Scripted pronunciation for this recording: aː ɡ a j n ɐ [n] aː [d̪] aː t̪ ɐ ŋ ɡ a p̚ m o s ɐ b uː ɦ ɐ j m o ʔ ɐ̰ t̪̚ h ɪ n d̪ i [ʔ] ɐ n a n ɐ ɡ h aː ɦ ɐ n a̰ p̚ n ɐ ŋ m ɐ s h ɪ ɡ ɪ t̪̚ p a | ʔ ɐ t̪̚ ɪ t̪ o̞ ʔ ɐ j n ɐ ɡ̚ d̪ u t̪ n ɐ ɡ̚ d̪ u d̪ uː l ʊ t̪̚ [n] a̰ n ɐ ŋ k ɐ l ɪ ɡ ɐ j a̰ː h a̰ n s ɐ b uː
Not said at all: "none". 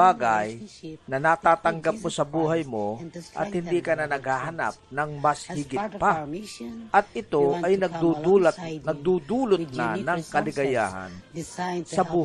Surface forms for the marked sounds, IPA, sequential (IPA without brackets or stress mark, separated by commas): n, t̪, k, n